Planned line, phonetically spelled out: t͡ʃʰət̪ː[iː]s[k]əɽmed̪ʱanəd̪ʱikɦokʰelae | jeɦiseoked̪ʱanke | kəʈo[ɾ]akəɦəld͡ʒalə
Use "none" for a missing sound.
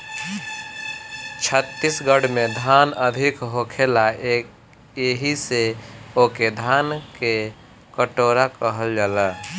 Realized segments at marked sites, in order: i, ɡ, ɾ

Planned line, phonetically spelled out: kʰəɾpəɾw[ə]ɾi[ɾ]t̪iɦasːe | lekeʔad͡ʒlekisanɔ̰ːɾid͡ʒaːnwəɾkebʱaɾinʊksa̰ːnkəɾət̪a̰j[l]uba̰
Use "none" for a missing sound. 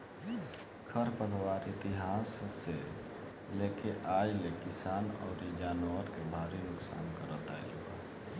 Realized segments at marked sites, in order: a, none, l

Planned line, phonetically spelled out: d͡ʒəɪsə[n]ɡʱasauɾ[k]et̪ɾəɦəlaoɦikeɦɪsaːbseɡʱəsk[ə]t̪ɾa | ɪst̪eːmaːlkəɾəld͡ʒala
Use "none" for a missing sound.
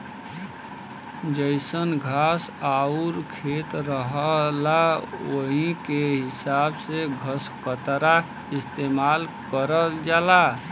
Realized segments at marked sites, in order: n, kʰ, ə

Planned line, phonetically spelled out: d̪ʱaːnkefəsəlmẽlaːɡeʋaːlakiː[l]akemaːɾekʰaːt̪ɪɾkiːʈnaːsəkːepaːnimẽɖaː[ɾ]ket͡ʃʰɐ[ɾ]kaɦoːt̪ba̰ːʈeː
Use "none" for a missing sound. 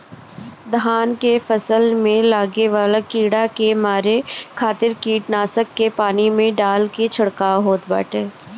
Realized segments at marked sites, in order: ɽ, l, ɽ

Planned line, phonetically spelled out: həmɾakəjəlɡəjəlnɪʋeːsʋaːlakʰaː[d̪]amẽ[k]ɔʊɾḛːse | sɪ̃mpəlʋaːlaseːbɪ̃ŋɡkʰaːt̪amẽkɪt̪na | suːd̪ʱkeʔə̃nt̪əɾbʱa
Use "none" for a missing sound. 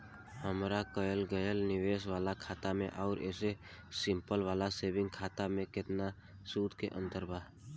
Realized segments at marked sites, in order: t̪, ʔ

